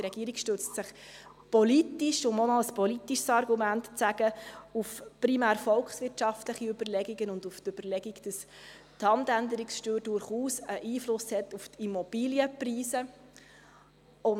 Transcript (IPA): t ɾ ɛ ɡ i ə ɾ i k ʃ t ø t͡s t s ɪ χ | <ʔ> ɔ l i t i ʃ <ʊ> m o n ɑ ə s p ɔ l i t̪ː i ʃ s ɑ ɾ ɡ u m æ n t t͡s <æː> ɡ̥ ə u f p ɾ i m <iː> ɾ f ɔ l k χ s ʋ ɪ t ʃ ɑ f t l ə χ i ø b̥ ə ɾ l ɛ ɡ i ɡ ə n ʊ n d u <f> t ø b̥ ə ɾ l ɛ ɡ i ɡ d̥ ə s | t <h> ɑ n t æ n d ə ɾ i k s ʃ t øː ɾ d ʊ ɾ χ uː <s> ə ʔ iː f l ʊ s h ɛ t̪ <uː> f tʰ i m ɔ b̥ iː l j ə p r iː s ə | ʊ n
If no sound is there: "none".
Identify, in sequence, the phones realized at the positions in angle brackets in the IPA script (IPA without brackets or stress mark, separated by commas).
p, ʊ, æ, æː, f, h, s, u